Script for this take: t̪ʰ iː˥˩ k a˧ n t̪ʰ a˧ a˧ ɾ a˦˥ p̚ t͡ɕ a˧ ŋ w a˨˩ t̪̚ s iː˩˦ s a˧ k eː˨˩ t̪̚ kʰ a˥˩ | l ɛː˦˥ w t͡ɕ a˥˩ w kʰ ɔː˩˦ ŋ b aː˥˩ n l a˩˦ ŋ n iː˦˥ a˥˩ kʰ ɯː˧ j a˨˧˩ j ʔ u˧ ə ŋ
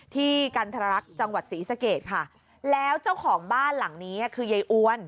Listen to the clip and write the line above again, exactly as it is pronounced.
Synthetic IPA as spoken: t̪ʰ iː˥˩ k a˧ n t̪ʰ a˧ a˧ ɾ a˦˥ k̚ t͡ɕ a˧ ŋ w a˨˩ t̪̚ s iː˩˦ s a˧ k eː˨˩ t̪̚ kʰ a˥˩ | l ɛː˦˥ w t͡ɕ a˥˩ w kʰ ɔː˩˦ ŋ b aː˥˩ n l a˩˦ ŋ n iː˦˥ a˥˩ kʰ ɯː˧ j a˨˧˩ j ʔ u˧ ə n